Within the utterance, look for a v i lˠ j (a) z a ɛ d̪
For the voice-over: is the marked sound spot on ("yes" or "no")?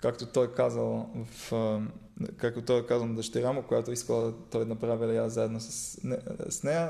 yes